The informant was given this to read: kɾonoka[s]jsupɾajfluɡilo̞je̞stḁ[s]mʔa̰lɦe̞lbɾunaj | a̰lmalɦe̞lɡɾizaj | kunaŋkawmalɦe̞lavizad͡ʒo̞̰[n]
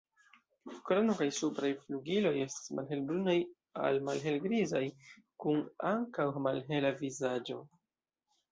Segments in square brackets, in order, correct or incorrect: incorrect: none, correct, incorrect: none

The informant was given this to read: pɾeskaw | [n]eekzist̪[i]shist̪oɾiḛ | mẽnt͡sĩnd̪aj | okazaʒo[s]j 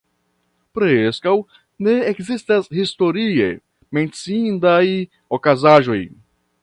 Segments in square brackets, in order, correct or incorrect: correct, incorrect: a, incorrect: none

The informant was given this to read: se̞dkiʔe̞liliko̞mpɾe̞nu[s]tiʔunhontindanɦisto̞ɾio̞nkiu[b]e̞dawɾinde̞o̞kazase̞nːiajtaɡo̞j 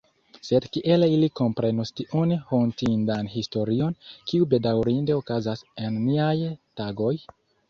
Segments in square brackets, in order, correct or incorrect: correct, correct

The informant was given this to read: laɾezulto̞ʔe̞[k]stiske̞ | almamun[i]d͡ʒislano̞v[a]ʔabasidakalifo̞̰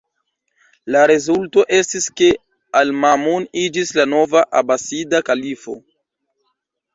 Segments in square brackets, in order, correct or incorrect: incorrect: none, correct, correct

